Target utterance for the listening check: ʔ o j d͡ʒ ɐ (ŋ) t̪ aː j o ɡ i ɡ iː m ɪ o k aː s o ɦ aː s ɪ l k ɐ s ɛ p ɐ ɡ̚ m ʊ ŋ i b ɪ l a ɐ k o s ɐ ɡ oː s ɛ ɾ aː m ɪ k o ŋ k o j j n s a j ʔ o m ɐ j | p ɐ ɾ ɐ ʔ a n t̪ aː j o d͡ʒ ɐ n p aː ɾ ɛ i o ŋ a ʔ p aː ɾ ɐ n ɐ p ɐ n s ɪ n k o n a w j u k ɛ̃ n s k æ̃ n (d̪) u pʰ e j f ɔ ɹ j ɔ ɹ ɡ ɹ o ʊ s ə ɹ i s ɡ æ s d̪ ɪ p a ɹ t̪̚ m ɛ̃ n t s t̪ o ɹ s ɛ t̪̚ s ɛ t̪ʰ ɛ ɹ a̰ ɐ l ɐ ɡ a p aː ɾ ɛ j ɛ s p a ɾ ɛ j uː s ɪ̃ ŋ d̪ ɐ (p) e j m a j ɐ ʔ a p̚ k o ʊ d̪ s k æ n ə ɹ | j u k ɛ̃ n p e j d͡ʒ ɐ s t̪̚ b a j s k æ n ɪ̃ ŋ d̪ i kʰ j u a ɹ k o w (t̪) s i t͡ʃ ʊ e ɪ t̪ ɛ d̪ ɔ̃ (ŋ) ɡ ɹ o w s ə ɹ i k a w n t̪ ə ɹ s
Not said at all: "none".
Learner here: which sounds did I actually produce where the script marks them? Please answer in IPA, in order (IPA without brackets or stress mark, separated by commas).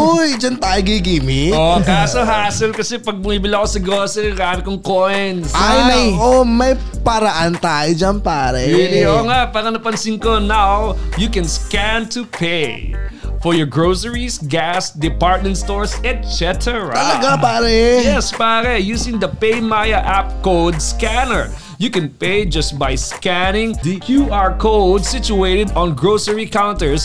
n, t̪, p, d̪, n